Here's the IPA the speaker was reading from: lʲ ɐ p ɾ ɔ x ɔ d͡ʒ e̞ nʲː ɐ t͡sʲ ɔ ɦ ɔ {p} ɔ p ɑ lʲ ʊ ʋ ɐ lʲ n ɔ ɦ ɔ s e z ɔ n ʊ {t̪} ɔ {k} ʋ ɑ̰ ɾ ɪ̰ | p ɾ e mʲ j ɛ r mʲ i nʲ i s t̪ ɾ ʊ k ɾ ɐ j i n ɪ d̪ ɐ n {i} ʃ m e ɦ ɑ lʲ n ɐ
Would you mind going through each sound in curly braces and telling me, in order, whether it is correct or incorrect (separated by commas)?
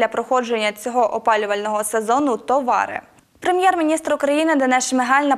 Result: incorrect, correct, incorrect, incorrect